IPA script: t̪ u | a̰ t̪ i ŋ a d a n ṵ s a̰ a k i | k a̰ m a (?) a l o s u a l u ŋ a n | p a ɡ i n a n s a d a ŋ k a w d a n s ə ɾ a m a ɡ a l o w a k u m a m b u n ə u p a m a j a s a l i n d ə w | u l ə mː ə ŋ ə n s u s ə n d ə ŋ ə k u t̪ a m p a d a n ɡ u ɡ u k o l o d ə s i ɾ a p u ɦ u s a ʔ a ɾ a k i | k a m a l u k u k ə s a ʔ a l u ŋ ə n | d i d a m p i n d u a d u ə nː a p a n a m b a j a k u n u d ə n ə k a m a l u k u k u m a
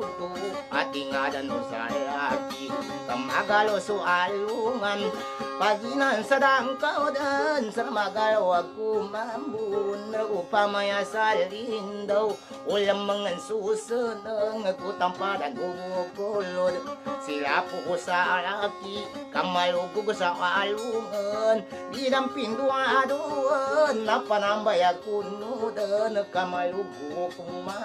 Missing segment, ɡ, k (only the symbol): ɡ